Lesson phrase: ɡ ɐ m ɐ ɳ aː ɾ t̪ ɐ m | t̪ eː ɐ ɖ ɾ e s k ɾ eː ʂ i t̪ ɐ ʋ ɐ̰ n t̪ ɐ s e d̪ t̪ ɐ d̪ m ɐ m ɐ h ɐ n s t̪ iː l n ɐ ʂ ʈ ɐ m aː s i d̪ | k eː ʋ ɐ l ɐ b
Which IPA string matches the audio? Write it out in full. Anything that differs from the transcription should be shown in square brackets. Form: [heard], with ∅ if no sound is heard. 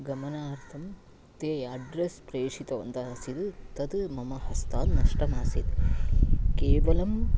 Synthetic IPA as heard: ɡ ɐ m ɐ [n] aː ɾ [t̪ʰ] ɐ m | t̪ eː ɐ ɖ ɾ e s [p] ɾ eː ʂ i t̪ ɐ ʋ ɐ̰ n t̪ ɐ s [i] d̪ t̪ ɐ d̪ m ɐ m ɐ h ɐ [∅] s t̪ [aː] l n ɐ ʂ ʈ ɐ m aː s i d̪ | k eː ʋ ɐ l ɐ [m]